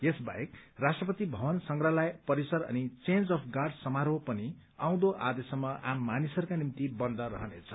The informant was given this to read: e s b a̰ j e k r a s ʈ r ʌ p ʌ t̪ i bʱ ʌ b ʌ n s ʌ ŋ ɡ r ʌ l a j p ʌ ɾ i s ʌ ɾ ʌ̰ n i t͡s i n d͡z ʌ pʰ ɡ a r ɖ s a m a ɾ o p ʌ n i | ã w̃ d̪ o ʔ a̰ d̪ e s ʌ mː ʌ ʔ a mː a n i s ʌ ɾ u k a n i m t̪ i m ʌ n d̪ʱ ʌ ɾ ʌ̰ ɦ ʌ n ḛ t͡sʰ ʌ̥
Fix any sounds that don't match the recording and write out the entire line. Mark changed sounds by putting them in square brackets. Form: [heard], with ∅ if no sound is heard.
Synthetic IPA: e s b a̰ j e k r a s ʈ r ʌ p ʌ t̪ i bʱ ʌ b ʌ n s ʌ ŋ ɡ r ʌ l a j p ʌ ɾ i s ʌ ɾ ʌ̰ n i t͡s [e] n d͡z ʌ pʰ ɡ a r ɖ s [ʌ] m a ɾ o p ʌ n i | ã w̃ d̪ o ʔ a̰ d̪ e s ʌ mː ʌ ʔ a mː a n i s ʌ ɾ u k a n i m t̪ i [b] ʌ n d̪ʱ ʌ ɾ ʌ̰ ɦ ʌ n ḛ t͡sʰ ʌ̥